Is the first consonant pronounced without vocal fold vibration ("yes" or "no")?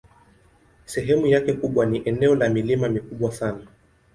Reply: yes